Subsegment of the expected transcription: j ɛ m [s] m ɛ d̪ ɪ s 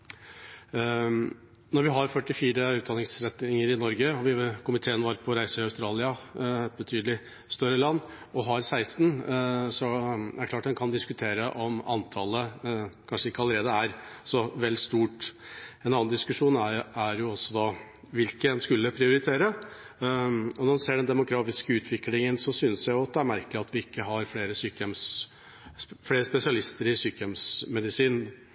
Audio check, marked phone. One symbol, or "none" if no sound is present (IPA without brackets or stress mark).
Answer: s